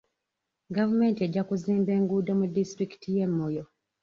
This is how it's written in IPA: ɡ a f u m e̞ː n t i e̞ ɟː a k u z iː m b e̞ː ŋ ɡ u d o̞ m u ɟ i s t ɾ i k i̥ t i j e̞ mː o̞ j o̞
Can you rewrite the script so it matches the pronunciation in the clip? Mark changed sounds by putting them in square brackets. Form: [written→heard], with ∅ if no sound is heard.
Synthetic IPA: ɡ a [f→v] u m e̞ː n t i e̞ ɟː a k u z iː m b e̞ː ŋ ɡ u d o̞ m u [ɟ→d] i s t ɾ i k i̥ t i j e̞ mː o̞ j o̞

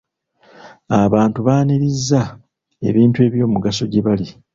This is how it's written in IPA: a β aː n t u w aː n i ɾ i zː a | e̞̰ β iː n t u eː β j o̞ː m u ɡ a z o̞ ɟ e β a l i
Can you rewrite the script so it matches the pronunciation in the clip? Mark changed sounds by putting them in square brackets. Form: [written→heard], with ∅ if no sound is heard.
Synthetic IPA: a β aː n t u [w→β] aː n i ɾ i zː a | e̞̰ β iː n t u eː β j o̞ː m u ɡ a [z→s] o̞ ɟ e β a l i

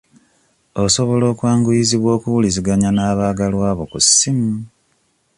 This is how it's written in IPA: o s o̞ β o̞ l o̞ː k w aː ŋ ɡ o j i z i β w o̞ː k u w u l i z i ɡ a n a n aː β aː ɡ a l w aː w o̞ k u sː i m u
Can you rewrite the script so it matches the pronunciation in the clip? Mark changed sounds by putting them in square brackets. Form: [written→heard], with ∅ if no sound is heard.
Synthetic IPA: o s o̞ β o̞ l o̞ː k w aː ŋ ɡ [o→u] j i z i β w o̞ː k u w u l i z i ɡ a [n→ɲ] a n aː β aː ɡ a l w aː [w→β] o̞ k u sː i m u

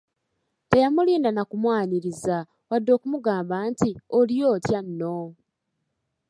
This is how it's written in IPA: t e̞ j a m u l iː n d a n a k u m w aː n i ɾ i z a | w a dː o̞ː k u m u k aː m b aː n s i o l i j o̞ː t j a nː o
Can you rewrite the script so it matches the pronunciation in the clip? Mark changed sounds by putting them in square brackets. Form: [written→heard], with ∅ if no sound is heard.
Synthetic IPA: t e̞ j a m u l iː n d a n a k u m w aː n i ɾ i z a | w a dː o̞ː k u m u [k→ɡ] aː m b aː n [s→t] i o l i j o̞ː t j a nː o

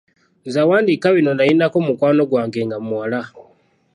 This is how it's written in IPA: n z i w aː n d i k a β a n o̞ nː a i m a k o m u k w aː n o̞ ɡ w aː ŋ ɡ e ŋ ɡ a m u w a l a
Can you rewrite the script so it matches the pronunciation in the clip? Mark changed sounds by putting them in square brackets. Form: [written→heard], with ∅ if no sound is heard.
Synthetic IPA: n z [i→a] w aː n d i k a β [a→i] n o̞ [nː→n] a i [m→n] a k o m u k w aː n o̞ ɡ w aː ŋ ɡ e ŋ ɡ a m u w a l a

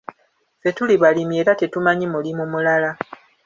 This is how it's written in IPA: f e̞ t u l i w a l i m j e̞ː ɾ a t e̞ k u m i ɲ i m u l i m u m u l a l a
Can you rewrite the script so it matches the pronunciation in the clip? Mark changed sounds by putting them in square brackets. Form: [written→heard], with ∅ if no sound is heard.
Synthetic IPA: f e̞ t u l i [w→β] a l i m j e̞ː ɾ a t e̞ [k→t] u m [i→a] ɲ i m u l i m u m u l a l a

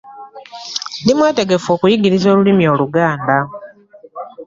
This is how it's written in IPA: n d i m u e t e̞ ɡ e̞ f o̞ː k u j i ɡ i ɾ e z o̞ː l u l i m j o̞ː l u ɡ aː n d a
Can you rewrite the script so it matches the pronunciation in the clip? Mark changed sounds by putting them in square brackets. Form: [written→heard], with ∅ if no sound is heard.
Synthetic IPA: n d i m [u→w] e t e̞ ɡ e̞ f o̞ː k u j i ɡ i ɾ [e→i] z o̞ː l u l i m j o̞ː l u ɡ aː n d a

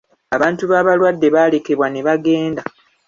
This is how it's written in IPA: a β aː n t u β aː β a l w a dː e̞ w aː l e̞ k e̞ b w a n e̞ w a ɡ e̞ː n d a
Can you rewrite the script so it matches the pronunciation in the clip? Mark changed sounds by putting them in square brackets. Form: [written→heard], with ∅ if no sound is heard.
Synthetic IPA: a β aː n t u β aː β a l w a dː e̞ [w→β] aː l e̞ k e̞ [b→β] w a n e̞ [w→β] a ɡ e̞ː n d a

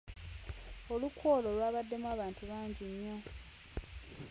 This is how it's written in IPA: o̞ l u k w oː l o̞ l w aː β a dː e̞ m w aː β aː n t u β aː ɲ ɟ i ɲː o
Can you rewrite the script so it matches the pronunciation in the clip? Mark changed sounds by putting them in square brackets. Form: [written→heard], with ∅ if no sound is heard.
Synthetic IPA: o̞ l u k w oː l o̞ l w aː β a dː e̞ m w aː β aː n t u β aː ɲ ɟ i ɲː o

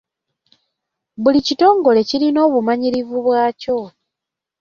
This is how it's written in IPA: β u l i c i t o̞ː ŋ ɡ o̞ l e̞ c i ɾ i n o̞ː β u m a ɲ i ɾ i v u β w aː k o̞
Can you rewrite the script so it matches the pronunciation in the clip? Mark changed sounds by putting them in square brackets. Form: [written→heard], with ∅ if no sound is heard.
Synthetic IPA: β u l i c i t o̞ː ŋ ɡ o̞ l e̞ c i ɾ i n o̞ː β u m a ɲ i ɾ i v u β w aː [k→c] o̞

